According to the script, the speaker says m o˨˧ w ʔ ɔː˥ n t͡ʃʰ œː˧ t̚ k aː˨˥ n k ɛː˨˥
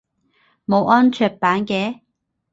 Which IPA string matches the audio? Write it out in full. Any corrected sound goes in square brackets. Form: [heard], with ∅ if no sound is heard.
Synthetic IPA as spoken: m o˨˧ w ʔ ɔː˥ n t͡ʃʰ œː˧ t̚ [p] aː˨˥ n k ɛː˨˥